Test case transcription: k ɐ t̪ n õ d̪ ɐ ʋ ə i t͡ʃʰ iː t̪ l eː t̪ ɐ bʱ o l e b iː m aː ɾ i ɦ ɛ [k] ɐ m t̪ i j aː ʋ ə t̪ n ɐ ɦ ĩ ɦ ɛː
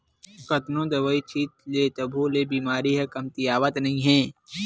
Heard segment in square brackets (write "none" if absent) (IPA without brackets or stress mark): k